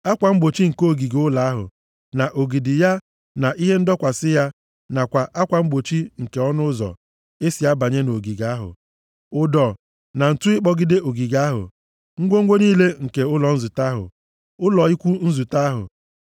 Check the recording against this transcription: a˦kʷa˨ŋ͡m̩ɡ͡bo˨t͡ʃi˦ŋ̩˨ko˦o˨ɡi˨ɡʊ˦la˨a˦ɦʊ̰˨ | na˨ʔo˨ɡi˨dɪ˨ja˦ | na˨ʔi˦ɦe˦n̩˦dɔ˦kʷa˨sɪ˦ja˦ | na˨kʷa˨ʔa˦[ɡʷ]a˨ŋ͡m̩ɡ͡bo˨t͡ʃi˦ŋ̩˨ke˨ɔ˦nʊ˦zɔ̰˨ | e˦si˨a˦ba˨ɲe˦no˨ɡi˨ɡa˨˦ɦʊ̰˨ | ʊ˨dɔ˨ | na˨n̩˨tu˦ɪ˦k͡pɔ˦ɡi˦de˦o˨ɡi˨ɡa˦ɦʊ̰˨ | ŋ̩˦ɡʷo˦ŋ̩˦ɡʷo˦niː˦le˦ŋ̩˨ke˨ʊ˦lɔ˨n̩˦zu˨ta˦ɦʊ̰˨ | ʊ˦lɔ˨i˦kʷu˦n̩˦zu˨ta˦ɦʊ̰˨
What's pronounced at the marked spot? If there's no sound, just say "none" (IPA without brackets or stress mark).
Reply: kʷ